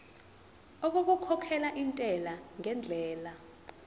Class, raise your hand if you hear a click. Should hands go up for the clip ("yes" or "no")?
no